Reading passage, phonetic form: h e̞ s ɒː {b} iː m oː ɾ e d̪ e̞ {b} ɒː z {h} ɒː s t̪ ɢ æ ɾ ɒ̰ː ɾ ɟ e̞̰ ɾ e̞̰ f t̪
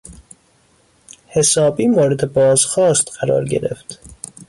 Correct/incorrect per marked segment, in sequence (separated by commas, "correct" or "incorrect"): correct, correct, incorrect